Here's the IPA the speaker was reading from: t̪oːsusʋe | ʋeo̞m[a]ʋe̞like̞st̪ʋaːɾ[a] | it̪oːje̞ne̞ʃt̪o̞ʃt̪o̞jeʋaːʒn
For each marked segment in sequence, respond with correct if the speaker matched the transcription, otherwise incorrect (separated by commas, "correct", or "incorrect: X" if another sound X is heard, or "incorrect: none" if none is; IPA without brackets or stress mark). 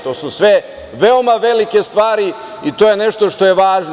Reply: correct, incorrect: i